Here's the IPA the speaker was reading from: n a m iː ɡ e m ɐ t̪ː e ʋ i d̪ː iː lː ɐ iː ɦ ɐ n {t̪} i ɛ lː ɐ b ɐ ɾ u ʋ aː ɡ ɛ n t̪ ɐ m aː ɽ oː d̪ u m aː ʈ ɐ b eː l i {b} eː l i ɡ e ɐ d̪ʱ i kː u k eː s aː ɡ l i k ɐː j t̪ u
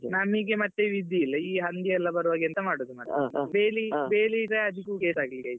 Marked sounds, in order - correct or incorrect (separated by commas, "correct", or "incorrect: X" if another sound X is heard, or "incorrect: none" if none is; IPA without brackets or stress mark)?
incorrect: d̪, correct